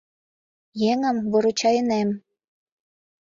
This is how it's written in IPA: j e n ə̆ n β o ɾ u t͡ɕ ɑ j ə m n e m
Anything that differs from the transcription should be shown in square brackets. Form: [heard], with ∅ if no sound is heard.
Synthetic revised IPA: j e [ŋ] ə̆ [m] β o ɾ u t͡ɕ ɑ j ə [∅] n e m